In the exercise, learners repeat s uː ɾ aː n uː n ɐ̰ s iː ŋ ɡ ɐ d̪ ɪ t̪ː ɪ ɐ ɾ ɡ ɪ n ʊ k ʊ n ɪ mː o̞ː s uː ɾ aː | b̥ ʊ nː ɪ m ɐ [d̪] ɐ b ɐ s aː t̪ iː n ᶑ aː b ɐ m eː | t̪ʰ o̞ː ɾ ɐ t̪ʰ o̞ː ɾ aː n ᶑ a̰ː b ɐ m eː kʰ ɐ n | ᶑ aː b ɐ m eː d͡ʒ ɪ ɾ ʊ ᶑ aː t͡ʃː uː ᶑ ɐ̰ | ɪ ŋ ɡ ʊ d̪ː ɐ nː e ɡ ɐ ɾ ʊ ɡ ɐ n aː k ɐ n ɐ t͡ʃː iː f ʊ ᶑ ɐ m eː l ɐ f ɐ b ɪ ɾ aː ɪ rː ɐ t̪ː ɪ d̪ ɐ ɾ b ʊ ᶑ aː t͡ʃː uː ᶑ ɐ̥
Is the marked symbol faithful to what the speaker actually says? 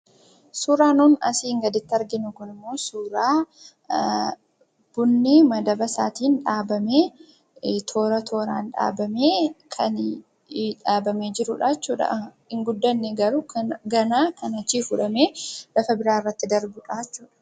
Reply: yes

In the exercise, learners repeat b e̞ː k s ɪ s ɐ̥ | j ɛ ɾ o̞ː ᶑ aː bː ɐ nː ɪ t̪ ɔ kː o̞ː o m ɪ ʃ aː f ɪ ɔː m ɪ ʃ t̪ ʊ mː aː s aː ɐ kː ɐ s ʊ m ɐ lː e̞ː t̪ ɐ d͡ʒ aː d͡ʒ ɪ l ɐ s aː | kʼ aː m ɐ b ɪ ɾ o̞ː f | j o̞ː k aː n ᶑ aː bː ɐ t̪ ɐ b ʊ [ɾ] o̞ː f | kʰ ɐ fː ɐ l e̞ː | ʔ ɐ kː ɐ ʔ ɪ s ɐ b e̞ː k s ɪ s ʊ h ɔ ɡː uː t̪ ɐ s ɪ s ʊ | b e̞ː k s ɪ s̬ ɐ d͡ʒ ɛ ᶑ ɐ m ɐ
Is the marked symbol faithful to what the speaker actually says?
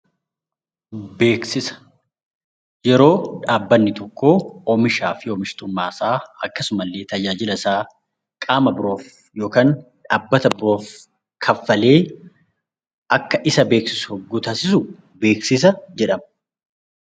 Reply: yes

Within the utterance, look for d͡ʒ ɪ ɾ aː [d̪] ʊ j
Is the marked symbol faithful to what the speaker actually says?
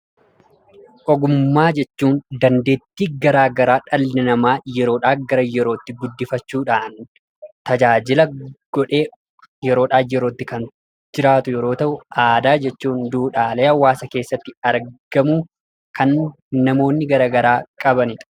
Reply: no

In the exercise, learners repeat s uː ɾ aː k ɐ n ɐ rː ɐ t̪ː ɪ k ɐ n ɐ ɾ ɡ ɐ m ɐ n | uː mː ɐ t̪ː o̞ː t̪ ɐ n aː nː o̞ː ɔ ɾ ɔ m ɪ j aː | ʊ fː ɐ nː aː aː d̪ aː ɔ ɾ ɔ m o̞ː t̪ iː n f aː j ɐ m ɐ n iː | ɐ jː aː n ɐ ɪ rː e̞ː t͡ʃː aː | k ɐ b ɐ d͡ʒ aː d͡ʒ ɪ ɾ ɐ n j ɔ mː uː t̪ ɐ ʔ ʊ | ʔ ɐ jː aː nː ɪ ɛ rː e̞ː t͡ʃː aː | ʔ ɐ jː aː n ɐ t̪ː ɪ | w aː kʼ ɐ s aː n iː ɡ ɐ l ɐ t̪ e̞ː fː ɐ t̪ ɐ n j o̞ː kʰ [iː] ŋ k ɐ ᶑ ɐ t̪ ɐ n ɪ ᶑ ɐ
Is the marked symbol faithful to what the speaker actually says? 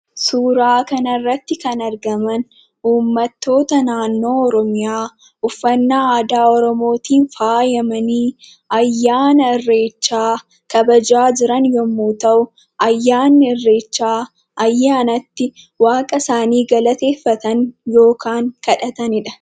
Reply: no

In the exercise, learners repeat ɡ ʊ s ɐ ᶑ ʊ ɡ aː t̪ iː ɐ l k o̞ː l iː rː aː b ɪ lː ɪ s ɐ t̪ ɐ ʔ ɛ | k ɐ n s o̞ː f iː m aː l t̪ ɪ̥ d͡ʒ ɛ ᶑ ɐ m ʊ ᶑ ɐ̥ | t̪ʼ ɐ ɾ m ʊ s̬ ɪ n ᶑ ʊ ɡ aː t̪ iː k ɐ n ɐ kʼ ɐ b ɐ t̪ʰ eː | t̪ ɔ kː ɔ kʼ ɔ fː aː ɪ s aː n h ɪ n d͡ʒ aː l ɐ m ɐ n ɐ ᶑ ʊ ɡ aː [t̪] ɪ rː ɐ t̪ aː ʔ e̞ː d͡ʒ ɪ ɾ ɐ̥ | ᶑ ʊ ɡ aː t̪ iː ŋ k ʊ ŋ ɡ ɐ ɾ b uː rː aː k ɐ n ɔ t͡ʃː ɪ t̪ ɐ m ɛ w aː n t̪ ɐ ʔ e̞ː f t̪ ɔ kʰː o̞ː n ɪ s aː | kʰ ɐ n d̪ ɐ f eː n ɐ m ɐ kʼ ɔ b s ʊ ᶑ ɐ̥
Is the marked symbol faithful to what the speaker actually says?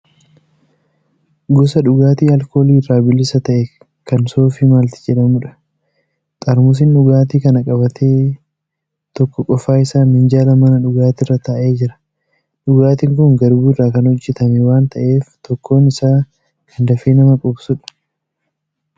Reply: yes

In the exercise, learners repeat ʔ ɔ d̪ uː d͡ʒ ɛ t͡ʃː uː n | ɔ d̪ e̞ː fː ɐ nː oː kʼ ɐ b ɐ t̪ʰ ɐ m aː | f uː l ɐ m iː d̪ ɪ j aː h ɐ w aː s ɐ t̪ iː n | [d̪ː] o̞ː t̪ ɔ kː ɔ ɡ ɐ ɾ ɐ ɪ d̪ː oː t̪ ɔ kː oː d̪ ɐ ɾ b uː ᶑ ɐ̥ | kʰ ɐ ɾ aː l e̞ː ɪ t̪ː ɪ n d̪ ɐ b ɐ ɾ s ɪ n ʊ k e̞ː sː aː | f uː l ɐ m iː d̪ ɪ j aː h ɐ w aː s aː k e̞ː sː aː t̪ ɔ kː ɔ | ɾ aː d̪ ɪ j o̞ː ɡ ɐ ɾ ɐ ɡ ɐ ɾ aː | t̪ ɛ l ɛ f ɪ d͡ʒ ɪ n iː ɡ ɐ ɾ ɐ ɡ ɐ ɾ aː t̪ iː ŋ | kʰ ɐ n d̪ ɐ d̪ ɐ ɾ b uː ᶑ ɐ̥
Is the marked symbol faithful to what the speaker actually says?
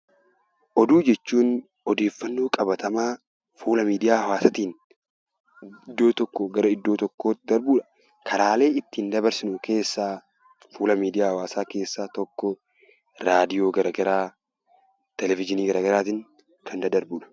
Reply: yes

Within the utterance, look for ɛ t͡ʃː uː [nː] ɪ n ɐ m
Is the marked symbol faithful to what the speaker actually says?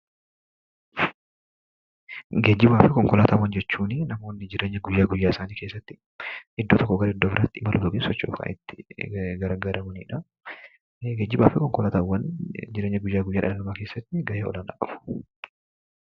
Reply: no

